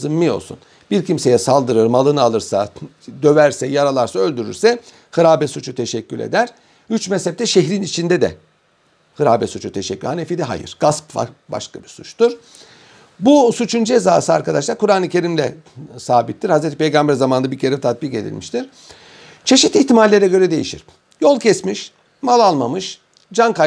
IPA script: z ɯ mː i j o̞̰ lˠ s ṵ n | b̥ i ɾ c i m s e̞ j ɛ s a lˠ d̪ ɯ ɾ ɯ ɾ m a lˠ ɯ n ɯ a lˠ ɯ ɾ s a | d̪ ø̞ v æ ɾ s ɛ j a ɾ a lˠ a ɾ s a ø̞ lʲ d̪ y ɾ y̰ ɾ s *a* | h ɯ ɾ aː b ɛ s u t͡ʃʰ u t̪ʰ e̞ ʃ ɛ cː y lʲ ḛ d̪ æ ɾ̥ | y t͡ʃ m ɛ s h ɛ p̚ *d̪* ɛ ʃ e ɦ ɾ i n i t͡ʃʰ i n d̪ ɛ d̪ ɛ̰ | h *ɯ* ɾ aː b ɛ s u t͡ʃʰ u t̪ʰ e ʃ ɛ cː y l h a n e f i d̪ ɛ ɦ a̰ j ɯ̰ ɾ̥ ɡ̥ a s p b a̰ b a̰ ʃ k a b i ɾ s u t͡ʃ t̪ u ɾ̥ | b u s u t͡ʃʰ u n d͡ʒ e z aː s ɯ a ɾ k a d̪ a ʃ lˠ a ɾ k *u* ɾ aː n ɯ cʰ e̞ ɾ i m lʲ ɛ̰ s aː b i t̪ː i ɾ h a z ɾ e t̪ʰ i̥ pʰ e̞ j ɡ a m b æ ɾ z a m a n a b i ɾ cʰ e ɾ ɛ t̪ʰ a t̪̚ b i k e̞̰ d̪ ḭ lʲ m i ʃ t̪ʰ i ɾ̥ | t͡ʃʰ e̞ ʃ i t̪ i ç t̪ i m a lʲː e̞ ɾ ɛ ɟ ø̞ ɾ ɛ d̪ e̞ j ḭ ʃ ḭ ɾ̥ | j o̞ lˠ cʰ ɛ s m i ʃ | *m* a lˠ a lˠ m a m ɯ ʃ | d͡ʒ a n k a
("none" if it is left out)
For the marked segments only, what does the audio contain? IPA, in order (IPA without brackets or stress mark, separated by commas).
ɛ, t̪, ɯ, u, m